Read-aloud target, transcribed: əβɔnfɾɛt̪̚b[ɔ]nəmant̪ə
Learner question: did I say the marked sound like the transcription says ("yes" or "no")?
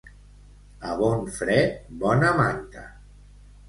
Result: yes